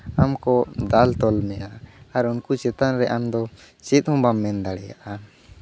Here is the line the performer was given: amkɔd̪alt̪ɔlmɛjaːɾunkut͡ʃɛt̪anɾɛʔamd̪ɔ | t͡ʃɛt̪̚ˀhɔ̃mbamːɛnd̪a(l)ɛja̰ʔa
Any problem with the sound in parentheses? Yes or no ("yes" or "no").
yes